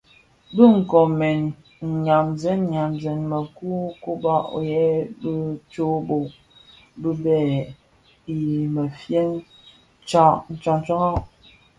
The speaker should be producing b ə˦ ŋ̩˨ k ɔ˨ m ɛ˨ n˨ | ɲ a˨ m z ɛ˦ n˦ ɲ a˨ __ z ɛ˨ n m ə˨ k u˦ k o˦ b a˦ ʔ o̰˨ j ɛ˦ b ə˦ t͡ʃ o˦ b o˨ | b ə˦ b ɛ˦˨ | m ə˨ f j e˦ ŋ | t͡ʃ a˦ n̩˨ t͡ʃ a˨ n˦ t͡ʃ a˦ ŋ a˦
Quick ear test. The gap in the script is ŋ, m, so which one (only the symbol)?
m